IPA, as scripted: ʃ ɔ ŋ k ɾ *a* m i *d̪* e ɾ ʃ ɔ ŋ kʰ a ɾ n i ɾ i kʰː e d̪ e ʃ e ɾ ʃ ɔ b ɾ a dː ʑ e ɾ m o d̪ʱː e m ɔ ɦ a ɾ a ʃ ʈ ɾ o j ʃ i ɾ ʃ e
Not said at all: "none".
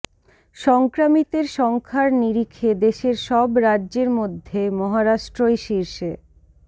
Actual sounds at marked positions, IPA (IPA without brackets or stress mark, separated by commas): a, t̪